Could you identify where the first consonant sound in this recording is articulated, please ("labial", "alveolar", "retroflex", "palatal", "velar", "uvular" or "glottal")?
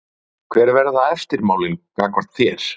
velar